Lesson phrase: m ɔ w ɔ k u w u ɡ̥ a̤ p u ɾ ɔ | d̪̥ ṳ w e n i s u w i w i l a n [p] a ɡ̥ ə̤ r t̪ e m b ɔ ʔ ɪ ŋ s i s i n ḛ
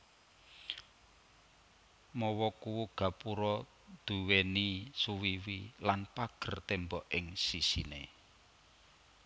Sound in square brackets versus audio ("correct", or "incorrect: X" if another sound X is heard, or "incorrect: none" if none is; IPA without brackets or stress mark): correct